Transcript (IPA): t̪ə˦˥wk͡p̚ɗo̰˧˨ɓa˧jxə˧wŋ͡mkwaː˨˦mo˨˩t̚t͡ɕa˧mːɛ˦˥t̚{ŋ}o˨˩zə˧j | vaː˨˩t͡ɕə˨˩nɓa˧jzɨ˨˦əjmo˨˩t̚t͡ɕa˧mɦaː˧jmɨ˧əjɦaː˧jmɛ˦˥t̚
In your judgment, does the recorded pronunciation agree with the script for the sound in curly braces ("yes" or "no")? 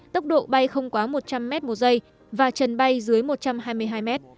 no